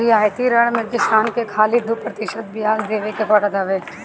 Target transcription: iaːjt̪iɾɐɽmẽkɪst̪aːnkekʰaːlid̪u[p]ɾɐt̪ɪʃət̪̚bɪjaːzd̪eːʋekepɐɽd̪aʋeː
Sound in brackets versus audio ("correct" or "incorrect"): correct